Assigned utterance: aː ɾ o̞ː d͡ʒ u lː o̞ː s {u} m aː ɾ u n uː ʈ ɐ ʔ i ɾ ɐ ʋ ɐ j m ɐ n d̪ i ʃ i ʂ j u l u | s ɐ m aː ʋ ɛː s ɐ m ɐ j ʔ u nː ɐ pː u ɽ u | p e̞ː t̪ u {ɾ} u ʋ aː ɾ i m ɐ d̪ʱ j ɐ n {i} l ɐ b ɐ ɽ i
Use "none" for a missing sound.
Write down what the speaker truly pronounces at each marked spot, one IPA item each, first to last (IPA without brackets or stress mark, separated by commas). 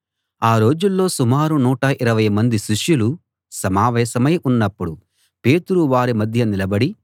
u, ɾ, i